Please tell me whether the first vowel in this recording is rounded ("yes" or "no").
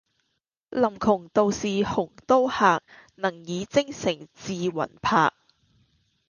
no